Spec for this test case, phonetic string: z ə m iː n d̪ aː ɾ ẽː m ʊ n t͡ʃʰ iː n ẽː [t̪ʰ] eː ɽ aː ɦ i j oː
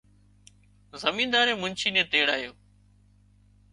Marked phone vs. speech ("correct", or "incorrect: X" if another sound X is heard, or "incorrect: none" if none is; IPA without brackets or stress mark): incorrect: t̪